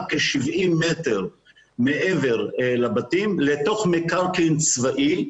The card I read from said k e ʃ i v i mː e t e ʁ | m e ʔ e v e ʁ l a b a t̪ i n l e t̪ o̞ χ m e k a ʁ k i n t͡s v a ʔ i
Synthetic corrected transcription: k e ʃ i v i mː e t e ʁ | m e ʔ e v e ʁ l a b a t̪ i m l e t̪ o̞ χ m e k a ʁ k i n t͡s v a ʔ i